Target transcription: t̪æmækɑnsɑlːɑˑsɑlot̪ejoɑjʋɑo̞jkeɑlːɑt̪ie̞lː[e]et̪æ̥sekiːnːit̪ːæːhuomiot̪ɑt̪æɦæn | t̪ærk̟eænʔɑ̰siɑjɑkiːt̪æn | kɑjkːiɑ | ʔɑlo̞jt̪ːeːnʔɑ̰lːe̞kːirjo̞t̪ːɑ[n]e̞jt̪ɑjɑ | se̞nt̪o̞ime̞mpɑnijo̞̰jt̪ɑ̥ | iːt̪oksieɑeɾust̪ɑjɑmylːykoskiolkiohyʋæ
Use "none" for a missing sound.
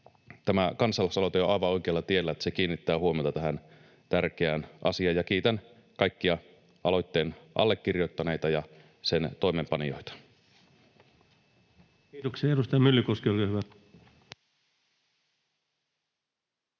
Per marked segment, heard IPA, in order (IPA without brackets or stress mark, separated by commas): æ, n